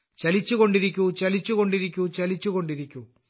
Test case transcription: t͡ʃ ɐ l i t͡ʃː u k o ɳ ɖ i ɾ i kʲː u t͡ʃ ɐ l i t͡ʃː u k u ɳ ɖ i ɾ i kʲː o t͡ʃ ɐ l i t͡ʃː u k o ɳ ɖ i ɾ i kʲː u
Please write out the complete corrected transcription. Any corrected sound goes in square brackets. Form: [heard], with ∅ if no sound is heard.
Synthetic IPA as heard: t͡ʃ ɐ l i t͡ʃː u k o ɳ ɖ i ɾ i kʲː u t͡ʃ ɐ l i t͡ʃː u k [o] ɳ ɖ i ɾ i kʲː [u] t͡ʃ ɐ l i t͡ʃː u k o ɳ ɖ i ɾ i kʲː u